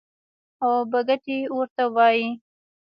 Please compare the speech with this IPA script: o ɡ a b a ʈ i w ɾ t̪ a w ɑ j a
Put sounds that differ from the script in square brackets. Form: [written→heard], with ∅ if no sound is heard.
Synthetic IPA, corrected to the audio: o [ɡ→b] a [b→ɡ] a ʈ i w ɾ t̪ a w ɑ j [a→i]